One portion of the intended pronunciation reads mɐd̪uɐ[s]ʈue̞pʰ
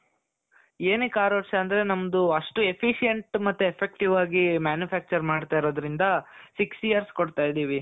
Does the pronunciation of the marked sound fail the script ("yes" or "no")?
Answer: yes